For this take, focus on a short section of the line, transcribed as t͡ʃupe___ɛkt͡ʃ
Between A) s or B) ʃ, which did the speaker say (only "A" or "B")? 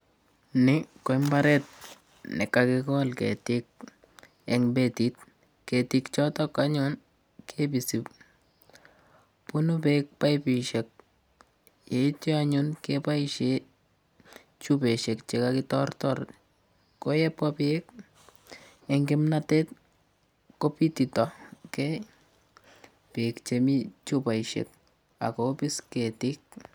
B